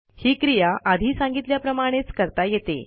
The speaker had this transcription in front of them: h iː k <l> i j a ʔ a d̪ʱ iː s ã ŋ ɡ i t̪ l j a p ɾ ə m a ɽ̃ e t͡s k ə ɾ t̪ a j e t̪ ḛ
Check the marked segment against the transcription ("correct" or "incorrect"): incorrect